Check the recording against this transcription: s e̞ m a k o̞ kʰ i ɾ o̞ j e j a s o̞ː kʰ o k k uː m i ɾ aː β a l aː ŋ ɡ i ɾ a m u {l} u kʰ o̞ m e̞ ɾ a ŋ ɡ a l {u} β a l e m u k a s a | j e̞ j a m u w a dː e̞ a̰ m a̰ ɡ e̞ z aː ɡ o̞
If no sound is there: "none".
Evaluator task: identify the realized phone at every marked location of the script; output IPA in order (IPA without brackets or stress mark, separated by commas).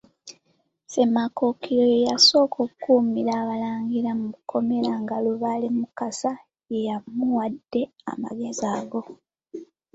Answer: none, u